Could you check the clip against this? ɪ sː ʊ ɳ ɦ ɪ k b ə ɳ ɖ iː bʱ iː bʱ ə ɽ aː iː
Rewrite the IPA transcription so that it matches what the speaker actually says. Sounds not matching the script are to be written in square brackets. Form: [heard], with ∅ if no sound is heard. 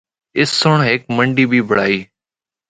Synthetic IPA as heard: ɪ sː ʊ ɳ ɦ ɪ k [m] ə ɳ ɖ iː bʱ iː bʱ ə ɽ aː iː